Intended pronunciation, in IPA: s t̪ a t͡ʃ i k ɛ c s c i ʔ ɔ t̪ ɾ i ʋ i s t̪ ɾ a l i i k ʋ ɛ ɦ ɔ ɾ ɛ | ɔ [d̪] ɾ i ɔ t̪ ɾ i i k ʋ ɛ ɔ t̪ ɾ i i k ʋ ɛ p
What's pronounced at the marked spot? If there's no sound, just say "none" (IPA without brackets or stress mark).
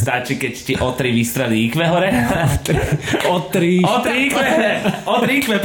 t̪